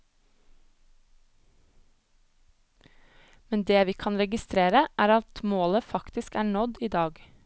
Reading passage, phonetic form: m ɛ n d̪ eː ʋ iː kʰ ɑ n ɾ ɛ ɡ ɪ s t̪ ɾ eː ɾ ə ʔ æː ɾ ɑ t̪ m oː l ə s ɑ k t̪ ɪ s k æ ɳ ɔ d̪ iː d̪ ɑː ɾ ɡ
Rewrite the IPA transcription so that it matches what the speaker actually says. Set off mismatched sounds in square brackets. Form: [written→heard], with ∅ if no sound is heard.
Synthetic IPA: m ɛ n d̪ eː ʋ iː kʰ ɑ n ɾ ɛ ɡ ɪ s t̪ ɾ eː ɾ ə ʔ æː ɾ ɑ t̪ m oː l ə [s→f] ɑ k t̪ ɪ s k [æ→æː] ɳ ɔ d̪ iː d̪ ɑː [ɾ→∅] ɡ